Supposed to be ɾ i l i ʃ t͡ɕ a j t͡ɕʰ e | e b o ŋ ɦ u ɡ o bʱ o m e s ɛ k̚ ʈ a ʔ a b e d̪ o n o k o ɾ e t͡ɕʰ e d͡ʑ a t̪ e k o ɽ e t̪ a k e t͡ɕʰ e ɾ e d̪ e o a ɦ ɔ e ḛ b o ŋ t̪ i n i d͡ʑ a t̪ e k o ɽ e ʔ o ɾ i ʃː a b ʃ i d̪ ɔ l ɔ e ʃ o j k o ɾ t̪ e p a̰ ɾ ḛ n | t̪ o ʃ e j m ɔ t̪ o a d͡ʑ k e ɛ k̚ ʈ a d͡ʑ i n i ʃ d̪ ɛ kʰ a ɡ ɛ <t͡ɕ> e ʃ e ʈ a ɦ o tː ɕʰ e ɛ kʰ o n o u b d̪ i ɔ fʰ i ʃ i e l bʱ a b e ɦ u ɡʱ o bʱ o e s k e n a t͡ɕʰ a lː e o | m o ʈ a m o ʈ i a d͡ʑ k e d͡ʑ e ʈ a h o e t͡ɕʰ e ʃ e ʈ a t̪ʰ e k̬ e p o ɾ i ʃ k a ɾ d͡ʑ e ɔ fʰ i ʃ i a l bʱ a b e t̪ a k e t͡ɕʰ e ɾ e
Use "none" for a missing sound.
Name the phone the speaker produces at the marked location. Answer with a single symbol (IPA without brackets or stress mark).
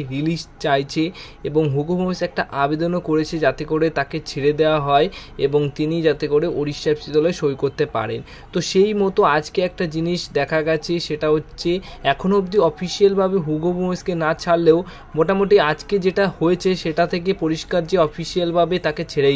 t͡ɕʰ